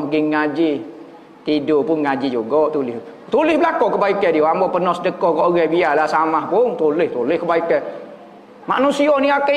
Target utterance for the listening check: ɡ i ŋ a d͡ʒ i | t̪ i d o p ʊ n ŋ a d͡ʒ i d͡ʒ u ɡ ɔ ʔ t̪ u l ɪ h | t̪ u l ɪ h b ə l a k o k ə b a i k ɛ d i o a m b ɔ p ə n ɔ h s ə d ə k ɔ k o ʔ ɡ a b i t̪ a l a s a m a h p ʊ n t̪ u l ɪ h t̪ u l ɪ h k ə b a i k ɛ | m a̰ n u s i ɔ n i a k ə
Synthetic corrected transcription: ɡ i ŋ a d͡ʒ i | t̪ i d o p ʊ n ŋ a d͡ʒ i d͡ʒ u ɡ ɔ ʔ t̪ u l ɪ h | t̪ u l ɪ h b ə l a k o k ə b a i k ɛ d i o a m b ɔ p ə n ɔ h s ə d ə k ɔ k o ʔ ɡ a b i a l a s a m a h p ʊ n t̪ u l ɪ h t̪ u l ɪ h k ə b a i k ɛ | m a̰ n u s i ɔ n i a k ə